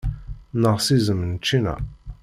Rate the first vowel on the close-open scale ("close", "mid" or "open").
mid